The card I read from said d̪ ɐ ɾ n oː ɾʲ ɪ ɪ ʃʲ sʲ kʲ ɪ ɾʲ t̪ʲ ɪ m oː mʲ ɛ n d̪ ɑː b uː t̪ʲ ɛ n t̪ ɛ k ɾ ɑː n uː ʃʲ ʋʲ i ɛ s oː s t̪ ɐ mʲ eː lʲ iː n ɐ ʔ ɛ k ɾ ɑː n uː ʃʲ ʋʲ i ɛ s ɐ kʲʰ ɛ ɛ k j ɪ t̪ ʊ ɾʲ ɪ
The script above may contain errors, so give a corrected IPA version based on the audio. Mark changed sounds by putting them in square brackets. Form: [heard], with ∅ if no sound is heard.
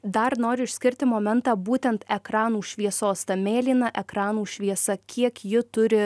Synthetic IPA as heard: d̪ ɐ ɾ n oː ɾʲ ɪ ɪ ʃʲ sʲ kʲ ɪ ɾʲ t̪ʲ ɪ m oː mʲ ɛ n [t̪] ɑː b uː t̪ʲ ɛ n t̪ ɛ k ɾ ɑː n uː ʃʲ ʋʲ i ɛ s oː s t̪ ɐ mʲ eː lʲ iː n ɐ ʔ ɛ k ɾ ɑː n uː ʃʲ ʋʲ i ɛ s ɐ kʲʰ [i] ɛ k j ɪ t̪ ʊ ɾʲ ɪ